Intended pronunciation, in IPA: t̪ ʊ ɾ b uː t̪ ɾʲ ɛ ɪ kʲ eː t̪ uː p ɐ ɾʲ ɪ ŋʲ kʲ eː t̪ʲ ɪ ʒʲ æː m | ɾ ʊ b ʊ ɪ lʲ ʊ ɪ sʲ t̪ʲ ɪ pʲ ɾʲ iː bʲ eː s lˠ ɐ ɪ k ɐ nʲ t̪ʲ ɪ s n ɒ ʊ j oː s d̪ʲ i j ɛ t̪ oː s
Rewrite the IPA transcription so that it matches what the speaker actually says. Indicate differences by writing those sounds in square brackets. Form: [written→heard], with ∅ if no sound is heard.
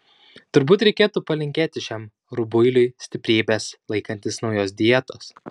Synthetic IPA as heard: t̪ ʊ ɾ b uː t̪ ɾʲ ɛ ɪ kʲ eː t̪ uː p ɐ [ɾʲ→lʲ] ɪ ŋʲ kʲ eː t̪ʲ ɪ [ʒʲ→ʃʲ] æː m | ɾ ʊ b ʊ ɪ lʲ ʊ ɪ sʲ t̪ʲ ɪ pʲ ɾʲ iː bʲ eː s lˠ ɐ ɪ k ɐ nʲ t̪ʲ ɪ s n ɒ ʊ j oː s d̪ʲ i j ɛ t̪ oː s